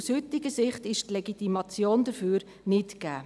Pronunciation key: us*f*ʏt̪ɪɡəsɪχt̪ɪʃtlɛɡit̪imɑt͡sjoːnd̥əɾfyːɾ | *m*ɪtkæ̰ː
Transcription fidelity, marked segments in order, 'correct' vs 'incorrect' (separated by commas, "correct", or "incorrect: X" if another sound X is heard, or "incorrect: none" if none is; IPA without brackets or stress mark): incorrect: h, incorrect: n